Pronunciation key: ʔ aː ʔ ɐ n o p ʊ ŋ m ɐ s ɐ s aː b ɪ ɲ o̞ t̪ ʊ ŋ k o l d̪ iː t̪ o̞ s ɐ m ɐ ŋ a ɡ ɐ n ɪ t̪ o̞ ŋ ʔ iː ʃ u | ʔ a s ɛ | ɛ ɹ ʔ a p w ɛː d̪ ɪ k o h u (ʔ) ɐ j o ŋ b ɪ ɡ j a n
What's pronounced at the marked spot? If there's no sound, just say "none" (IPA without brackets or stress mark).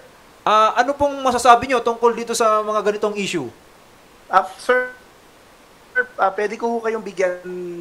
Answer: k